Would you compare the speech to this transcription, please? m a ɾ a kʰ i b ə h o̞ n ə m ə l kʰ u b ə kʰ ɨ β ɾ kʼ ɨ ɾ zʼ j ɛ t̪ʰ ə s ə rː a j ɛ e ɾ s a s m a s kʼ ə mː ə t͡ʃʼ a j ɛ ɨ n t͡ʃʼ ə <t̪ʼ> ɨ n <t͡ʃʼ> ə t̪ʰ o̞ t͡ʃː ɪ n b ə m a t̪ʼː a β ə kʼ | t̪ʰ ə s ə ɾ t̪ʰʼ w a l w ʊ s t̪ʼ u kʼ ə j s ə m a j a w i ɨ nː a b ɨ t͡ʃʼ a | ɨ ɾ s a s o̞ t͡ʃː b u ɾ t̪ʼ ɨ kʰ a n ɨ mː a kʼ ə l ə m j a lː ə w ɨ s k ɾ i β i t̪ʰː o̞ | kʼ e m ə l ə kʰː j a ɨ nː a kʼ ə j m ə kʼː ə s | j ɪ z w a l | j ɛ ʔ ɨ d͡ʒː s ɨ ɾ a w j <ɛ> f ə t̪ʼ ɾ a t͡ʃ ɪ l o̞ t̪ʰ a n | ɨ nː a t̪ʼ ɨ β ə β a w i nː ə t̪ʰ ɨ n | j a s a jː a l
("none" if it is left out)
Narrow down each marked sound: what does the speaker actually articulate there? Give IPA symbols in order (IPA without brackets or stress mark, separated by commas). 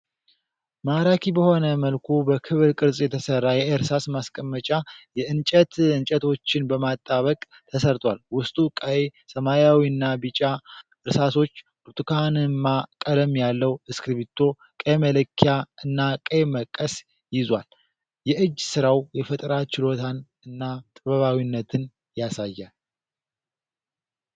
t̪, t͡ʃʼ, ɛ